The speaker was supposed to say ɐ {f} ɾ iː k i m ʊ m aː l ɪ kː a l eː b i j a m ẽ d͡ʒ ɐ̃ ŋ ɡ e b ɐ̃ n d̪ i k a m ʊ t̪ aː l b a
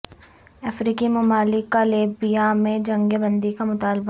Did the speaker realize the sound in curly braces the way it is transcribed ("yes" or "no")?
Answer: yes